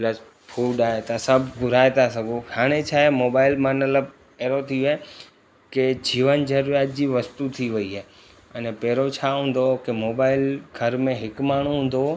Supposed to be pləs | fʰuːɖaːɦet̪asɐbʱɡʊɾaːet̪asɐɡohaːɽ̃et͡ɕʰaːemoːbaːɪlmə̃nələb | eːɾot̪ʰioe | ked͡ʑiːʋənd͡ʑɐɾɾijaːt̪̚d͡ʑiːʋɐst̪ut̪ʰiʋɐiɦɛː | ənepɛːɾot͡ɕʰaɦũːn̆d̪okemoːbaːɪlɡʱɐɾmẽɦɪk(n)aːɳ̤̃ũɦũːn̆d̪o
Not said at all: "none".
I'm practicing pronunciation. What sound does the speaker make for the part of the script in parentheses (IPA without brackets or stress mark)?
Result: m